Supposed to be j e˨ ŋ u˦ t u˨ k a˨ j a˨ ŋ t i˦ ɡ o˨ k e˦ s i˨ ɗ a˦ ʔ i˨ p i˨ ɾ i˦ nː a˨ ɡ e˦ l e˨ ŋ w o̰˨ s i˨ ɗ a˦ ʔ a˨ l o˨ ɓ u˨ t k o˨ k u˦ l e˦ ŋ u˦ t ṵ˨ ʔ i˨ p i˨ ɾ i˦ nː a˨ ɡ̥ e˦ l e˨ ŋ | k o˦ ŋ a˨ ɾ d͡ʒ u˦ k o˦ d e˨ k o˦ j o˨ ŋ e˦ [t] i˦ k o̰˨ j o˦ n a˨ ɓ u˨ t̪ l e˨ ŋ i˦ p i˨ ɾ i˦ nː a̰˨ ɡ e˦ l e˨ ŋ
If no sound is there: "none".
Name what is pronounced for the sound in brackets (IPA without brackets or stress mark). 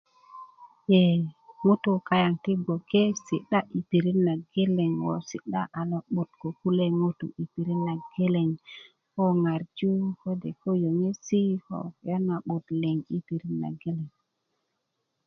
s